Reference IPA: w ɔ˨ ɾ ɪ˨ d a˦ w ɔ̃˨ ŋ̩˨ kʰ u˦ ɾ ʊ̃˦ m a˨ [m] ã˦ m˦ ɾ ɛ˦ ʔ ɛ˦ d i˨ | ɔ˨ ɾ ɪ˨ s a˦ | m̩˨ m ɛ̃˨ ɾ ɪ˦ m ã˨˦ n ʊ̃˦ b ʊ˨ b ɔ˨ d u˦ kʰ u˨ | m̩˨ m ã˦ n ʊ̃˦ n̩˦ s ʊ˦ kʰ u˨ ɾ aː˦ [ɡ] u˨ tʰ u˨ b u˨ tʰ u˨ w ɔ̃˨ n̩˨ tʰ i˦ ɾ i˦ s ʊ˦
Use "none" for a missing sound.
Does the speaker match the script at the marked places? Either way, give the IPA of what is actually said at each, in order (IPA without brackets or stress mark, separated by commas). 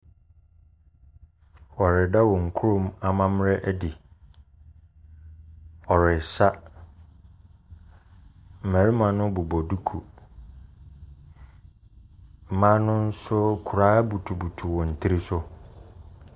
m, b